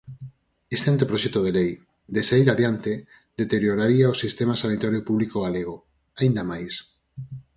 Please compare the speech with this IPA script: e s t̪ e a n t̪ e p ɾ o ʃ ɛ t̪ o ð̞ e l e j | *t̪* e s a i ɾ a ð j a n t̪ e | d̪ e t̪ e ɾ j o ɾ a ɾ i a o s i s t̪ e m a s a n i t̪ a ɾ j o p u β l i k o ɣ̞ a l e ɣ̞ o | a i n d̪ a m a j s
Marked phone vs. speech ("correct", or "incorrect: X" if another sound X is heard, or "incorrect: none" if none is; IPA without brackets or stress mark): incorrect: d̪